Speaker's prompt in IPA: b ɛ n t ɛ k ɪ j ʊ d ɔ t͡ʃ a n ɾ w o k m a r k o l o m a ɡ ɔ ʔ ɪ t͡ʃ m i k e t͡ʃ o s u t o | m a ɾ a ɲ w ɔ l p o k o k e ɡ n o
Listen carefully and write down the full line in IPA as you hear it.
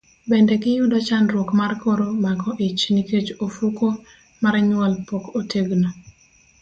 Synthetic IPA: b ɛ n d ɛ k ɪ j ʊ d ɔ t͡ʃ a n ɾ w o k m a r k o ɾ o m a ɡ ɔ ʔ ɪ t͡ʃ n i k e t͡ʃ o f u k o | m a ɾ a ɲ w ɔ l p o k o t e ɡ n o